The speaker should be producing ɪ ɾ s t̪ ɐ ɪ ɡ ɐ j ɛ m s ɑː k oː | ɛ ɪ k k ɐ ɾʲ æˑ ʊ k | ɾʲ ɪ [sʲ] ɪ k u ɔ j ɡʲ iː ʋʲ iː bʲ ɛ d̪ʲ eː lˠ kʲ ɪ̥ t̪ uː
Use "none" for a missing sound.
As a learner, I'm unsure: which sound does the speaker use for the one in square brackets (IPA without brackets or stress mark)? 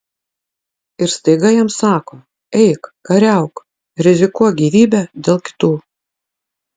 zʲ